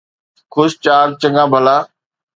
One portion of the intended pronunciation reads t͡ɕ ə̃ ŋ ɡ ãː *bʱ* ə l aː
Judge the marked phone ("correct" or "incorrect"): correct